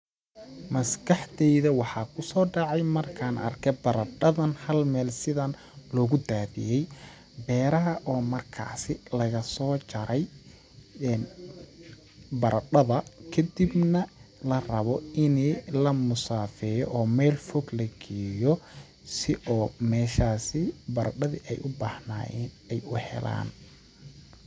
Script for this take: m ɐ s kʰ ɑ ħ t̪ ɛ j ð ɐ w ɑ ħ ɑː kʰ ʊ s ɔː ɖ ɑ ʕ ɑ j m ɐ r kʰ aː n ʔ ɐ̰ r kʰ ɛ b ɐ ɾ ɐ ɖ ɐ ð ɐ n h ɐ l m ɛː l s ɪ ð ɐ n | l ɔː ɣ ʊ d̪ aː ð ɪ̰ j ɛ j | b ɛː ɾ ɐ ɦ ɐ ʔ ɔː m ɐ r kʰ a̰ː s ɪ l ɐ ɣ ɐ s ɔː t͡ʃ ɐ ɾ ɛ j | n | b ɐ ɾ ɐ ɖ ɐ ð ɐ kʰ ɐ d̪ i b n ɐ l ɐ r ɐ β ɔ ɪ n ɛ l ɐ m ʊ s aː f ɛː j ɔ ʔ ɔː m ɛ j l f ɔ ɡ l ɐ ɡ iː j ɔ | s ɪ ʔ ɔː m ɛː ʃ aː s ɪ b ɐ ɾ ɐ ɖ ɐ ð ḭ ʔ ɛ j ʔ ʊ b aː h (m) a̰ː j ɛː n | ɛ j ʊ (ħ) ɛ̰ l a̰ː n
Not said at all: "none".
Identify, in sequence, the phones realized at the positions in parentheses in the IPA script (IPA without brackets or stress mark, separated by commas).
n, h